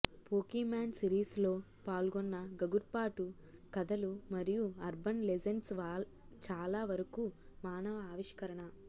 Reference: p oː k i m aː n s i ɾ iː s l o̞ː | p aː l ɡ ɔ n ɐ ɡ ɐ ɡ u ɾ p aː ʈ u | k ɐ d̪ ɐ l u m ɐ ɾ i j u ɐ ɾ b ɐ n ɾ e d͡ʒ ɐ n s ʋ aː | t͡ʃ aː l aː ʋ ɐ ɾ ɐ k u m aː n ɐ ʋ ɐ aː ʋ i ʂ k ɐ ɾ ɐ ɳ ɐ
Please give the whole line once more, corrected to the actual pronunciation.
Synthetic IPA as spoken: p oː k i m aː n s i ɾ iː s l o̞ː | p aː l ɡ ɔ nː ɐ ɡ ɐ ɡ u ɾ p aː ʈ u | k ɐ d̪ ɐ l u m ɐ ɾ i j u ɐ ɾ b ɐ n l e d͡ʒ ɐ n s ʋ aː | t͡ʃ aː l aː ʋ ɐ ɾ ɐ k u m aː n ɐ ʋ ɐ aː ʋ i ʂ k ɐ ɾ ɐ ɳ ɐ